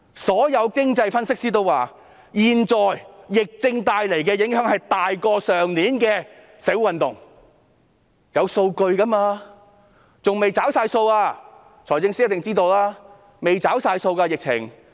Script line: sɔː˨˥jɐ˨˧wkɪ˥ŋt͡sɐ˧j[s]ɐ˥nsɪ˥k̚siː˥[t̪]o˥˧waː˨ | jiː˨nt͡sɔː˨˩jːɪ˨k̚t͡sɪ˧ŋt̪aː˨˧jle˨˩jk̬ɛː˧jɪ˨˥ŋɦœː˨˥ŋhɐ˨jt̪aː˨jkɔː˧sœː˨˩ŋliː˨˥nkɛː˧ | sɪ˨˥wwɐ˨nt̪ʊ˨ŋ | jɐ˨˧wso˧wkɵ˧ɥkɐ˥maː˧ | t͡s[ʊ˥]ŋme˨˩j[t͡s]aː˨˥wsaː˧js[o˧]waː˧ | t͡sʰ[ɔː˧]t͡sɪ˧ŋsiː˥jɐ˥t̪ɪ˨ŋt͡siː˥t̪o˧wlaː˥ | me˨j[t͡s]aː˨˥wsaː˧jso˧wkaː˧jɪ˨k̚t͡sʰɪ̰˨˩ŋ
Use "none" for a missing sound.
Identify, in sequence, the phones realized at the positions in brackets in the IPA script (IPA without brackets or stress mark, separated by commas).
f, t̪, ʊ˨, t͡s, o˧, ɔː˨˩, t͡s